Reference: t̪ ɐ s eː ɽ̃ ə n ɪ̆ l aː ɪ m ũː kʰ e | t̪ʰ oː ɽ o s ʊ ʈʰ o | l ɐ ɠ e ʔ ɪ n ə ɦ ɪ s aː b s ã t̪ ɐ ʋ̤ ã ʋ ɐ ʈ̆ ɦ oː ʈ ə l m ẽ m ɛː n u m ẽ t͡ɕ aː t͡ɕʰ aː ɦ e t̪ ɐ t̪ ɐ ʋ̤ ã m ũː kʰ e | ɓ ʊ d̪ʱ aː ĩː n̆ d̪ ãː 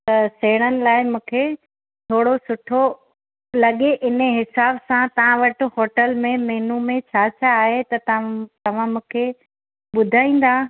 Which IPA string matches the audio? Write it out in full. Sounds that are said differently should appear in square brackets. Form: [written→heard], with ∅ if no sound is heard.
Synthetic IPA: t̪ ɐ s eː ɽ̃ ə n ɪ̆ l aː ɪ m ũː kʰ e | t̪ʰ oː ɽ o s ʊ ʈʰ o | l ɐ ɠ e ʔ ɪ n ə ɦ ɪ s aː b s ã t̪ ɐ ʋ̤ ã ʋ ɐ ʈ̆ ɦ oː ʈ ə l m ẽ m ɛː n u m ẽ [t͡ɕ→t͡ɕʰ] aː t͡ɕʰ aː ɦ e t̪ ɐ t̪ ɐ ʋ̤ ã m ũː kʰ e | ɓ ʊ d̪ʱ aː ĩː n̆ d̪ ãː